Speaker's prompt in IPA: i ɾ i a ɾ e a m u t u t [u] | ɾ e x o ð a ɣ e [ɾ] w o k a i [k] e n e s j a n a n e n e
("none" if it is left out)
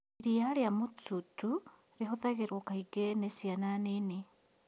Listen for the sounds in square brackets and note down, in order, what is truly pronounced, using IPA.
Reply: u, ɾ, ɡ

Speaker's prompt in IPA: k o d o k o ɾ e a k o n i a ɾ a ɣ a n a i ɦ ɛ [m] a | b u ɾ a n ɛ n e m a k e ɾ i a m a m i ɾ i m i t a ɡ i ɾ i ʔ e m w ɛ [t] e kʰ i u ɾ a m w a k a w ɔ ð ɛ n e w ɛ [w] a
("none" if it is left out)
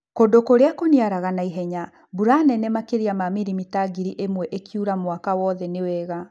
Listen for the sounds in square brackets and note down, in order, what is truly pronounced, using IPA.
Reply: ɲ, ʔ, ɣ

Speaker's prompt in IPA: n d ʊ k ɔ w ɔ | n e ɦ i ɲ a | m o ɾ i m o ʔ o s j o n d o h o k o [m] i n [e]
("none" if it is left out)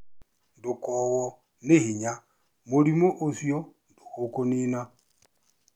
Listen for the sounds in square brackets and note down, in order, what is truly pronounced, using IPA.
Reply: n, a

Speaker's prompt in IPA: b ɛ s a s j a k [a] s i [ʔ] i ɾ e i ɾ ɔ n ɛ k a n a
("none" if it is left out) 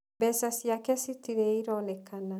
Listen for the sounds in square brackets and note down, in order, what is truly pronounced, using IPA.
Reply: ɛ, t

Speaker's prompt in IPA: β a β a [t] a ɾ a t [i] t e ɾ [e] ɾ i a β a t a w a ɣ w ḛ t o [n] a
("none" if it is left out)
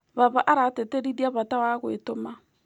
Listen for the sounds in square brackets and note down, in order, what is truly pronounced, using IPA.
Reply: ʔ, e, i, m

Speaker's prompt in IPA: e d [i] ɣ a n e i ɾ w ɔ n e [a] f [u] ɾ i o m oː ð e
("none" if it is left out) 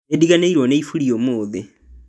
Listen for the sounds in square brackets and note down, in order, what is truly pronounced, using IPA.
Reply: i, i, u

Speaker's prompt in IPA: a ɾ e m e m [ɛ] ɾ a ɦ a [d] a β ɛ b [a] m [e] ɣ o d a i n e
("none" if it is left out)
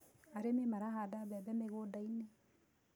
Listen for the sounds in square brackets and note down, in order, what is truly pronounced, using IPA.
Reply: a, d, ɛ, e

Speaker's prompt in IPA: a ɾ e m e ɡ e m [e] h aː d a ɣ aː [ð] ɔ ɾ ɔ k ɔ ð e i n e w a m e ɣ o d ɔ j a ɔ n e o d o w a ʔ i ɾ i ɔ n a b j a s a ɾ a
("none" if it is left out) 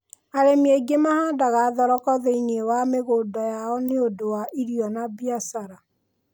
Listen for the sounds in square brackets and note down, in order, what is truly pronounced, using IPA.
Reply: a, ð

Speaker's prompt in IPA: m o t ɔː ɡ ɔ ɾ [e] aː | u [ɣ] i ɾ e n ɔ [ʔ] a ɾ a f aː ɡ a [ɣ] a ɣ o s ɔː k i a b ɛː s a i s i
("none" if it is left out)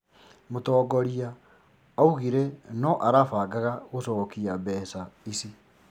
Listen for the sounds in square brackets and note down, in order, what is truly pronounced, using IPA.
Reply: i, ɣ, ʔ, ɣ

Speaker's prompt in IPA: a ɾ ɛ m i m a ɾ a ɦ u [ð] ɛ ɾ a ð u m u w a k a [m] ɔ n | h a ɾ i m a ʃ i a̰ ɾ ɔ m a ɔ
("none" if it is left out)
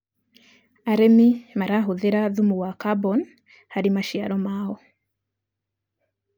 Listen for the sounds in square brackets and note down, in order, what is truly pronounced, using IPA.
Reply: ð, b

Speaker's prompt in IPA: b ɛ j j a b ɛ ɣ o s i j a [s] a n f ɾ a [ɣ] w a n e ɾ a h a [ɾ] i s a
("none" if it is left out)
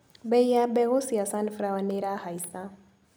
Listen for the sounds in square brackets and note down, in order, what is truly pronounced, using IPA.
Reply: s, none, none

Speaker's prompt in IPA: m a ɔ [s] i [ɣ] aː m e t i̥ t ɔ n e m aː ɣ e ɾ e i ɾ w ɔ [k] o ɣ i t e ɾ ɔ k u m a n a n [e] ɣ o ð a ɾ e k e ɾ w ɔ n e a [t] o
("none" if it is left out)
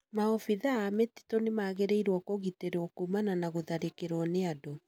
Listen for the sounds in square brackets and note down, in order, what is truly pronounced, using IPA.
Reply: f, ð, k, a, d

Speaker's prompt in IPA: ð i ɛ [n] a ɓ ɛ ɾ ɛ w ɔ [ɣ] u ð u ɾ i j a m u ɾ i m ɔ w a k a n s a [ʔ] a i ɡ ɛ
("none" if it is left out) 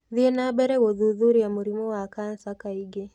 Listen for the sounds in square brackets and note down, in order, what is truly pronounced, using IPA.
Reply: n, ð, k

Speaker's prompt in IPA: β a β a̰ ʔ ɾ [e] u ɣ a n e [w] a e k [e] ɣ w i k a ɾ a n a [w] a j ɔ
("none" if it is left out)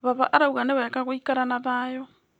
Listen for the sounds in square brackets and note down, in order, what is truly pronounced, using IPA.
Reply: a, β, a, β

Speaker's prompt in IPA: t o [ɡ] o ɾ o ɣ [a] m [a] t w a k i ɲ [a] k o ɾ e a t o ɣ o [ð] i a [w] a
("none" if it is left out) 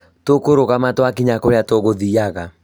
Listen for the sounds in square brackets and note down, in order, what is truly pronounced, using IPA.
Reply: k, a, a, a, ð, ɣ

